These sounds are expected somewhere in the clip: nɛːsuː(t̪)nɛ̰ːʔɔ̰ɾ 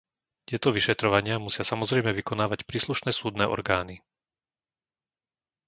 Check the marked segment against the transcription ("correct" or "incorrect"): incorrect